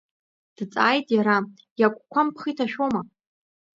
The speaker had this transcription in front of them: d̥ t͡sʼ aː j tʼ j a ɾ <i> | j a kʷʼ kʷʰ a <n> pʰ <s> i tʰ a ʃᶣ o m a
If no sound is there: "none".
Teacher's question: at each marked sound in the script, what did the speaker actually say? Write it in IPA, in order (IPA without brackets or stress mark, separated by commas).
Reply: a, m, χ